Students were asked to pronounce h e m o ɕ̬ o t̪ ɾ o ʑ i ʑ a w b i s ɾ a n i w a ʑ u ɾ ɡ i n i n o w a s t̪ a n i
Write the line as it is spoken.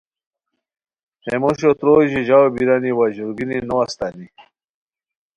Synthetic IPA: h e m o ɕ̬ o t̪ ɾ o ʑ i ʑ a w b i ɾ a n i w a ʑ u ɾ ɡ i n i n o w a s t̪ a n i